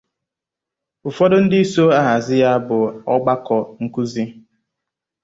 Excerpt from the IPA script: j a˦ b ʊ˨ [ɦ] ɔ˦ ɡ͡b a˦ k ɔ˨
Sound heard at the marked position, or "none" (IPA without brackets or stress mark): none